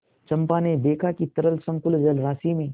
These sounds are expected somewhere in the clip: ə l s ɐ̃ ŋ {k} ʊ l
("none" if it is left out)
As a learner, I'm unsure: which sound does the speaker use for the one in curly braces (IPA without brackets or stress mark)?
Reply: k